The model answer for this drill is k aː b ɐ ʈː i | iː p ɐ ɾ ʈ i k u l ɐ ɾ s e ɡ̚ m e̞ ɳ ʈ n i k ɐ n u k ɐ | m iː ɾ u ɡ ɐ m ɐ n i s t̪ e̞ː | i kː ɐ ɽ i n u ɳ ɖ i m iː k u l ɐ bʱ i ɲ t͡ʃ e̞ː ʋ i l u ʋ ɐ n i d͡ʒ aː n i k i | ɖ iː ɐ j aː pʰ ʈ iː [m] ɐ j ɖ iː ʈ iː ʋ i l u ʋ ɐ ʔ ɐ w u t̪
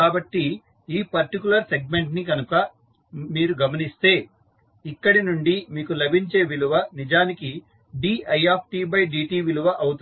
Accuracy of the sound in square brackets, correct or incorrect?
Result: incorrect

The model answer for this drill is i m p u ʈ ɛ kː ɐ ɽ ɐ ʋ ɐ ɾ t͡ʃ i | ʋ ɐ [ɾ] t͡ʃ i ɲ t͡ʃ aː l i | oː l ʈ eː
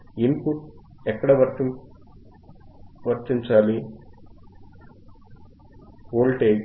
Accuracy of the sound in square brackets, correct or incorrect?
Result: correct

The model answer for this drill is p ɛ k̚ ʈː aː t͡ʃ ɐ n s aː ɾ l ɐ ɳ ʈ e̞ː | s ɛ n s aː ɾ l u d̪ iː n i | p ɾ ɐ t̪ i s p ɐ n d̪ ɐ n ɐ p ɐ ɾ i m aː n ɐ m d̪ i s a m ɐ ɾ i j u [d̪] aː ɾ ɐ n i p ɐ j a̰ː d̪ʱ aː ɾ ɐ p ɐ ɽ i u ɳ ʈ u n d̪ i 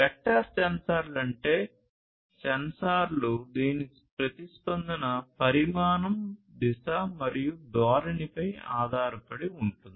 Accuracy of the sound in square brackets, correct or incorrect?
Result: correct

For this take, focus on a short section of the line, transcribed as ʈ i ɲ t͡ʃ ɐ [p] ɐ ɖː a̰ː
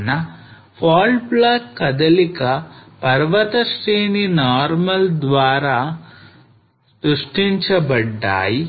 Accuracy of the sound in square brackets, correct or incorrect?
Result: incorrect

